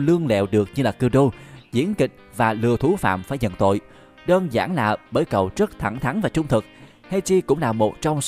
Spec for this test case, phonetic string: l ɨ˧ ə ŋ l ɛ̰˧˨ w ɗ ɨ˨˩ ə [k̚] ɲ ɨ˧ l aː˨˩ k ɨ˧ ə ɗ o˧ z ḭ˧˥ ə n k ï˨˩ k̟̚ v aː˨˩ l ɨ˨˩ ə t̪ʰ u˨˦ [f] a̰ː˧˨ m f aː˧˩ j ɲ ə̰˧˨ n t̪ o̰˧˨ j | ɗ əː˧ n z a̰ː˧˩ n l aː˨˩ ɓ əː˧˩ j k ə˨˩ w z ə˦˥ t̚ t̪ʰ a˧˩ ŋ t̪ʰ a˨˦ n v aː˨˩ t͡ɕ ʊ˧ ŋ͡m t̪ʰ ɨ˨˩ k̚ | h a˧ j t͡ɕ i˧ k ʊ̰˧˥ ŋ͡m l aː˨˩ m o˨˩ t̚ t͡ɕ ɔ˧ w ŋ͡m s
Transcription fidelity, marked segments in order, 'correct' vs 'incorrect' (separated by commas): correct, correct